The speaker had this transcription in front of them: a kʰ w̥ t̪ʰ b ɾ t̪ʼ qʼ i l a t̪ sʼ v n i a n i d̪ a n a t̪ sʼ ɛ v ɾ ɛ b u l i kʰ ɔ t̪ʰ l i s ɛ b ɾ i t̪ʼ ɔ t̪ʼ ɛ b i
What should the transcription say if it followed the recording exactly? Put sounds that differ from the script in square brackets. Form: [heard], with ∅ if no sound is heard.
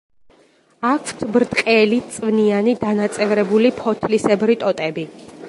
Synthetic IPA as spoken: a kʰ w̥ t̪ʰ b ɾ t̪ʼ qʼ [ɛ] l [i] t̪ sʼ v n i a n i d̪ a n a t̪ sʼ ɛ v ɾ ɛ b u l i [pʰ] ɔ t̪ʰ l i s ɛ b ɾ i t̪ʼ ɔ t̪ʼ ɛ b i